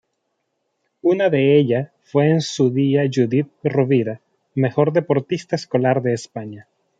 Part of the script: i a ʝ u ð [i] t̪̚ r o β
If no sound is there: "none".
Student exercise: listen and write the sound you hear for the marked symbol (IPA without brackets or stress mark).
i